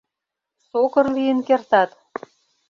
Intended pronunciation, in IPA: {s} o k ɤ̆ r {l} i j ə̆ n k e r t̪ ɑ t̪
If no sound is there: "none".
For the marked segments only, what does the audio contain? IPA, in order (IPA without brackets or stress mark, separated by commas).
s, l